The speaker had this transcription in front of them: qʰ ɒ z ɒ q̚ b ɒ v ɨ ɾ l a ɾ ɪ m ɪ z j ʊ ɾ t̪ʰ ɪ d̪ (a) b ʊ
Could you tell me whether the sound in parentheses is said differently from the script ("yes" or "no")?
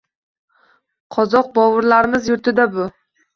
no